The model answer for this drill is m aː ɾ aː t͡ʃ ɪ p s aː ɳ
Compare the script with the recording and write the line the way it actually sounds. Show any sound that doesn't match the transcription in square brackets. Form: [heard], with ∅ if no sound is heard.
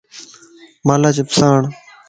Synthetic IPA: m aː [l] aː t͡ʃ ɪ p s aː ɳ